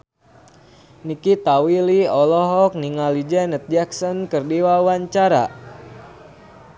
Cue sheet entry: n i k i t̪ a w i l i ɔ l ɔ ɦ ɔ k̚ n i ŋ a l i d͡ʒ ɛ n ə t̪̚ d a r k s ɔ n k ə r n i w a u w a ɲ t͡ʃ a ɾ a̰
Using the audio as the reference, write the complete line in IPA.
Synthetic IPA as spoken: n i k i t̪ a w i l i ɔ l ɔ ɦ ɔ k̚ n i ŋ a l i d͡ʒ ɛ n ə t̪̚ d͡ʒ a k s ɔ n k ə r d i w a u w a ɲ t͡ʃ a ɾ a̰